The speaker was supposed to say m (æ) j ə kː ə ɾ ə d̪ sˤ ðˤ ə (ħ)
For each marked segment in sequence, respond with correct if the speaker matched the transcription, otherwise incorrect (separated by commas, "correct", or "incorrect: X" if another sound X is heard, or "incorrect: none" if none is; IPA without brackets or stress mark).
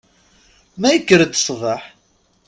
correct, correct